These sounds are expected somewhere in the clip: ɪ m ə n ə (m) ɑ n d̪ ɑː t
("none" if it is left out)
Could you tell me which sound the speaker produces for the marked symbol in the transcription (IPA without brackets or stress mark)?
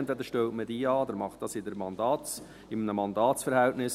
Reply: m